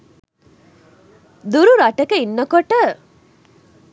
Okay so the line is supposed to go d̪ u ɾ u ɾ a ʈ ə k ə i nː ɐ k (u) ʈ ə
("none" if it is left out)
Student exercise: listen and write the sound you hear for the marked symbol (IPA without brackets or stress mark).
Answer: o